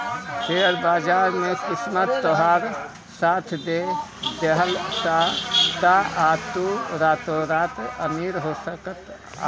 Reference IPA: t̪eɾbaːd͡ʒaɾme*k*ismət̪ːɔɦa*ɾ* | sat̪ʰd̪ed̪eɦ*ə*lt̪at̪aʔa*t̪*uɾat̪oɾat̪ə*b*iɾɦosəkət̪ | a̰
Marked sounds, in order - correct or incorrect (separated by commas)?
correct, correct, correct, correct, incorrect